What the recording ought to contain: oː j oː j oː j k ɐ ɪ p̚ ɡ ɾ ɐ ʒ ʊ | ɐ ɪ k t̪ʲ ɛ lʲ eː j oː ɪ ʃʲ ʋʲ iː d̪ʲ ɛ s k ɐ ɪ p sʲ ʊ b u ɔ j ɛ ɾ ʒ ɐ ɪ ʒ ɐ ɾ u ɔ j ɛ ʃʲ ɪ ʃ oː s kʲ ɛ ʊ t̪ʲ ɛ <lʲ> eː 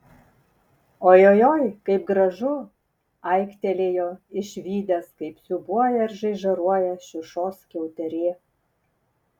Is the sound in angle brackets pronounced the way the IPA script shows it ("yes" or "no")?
no